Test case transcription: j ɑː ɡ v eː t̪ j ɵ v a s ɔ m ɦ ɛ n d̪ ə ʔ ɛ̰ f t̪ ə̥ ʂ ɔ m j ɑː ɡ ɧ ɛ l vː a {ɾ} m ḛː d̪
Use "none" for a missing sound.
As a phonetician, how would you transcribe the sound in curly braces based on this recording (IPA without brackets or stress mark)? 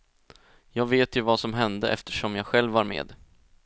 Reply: ɾ